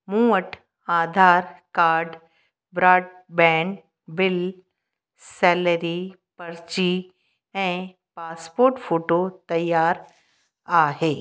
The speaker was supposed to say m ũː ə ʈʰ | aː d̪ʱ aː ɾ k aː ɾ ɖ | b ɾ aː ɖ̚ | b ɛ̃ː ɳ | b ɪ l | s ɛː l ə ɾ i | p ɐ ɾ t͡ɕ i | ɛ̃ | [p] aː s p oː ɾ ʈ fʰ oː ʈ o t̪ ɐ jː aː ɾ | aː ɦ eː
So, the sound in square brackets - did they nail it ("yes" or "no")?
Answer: yes